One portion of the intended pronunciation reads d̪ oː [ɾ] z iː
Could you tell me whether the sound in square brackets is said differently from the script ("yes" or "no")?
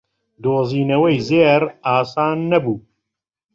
yes